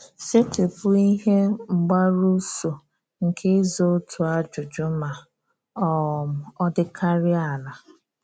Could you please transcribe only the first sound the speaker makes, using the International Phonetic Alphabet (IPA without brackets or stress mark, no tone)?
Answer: s